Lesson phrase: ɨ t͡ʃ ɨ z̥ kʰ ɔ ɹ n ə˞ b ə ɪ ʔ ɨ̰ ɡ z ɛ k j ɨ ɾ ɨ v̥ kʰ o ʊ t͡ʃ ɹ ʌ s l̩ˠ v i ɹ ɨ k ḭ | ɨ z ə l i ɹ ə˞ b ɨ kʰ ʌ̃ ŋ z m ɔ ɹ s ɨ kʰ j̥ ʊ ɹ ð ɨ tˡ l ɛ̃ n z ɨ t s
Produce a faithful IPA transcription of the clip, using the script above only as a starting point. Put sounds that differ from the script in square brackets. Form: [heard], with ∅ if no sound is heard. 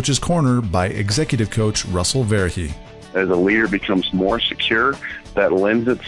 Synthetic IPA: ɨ t͡ʃ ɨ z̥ kʰ ɔ ɹ n ə˞ b [a] ɪ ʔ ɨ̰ ɡ z ɛ k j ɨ ɾ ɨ v̥ kʰ o ʊ t͡ʃ ɹ ʌ s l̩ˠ v [ɛ] ɹ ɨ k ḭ | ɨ z ə l i [ɾ] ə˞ b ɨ kʰ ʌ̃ [m] z m ɔ ɹ s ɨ kʰ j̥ ʊ ɹ ð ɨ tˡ l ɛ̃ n z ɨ t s